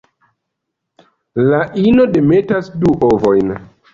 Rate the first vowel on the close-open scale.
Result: open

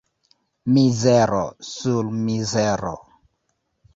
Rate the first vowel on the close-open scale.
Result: close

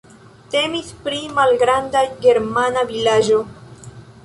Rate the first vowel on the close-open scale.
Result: mid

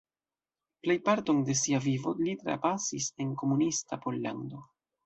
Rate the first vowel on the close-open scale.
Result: mid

